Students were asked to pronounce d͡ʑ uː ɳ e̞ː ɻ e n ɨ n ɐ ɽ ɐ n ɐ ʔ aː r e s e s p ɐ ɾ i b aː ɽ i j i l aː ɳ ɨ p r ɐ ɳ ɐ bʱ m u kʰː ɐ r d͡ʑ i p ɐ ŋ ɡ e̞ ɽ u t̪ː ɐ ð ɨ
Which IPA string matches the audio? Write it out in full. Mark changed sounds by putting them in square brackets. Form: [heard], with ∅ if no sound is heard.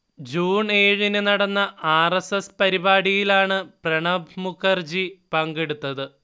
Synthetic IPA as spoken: d͡ʑ uː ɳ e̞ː ɻ [i] n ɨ n ɐ ɽ ɐ [nː] ɐ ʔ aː r e s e s p ɐ ɾ i b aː ɽ i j i l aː ɳ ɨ p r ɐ ɳ ɐ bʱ m u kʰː ɐ r d͡ʑ i p ɐ ŋ ɡ e̞ ɽ u t̪ː ɐ ð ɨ